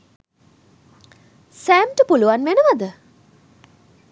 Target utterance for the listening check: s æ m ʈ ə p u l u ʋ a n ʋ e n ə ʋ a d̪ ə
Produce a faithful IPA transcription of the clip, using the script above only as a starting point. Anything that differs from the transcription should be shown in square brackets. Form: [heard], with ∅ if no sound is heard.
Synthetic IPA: s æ m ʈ ə p u l u ʋ a n ʋ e n ə ʋ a d̪ ə